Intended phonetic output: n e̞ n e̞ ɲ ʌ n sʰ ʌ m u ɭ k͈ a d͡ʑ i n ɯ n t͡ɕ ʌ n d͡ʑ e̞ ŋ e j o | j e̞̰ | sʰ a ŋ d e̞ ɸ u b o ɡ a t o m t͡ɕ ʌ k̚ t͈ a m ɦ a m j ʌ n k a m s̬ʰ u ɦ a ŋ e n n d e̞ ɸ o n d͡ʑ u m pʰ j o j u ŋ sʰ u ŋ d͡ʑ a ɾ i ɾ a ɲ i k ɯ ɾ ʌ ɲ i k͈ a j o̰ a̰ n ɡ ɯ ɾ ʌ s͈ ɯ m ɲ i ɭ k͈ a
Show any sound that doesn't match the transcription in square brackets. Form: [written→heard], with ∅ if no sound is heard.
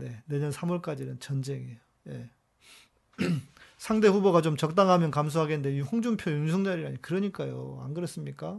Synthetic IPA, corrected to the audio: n e̞ n e̞ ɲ ʌ n sʰ [ʌ→a] m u ɭ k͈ a d͡ʑ i n ɯ n t͡ɕ ʌ n d͡ʑ e̞ ŋ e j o | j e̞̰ | sʰ a ŋ d e̞ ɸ u b o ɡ a [t→t͡ɕ] o m t͡ɕ ʌ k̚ t͈ a [m→ŋ] ɦ a m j ʌ n k a m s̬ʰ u ɦ a [ŋ→ɡ] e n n d e̞ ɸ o [n→ŋ] d͡ʑ u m pʰ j o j u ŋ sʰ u ŋ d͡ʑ a ɾ i ɾ a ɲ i k ɯ ɾ ʌ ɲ i k͈ a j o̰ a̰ n ɡ ɯ ɾ ʌ s͈ ɯ m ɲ i [ɭ→∅] k͈ a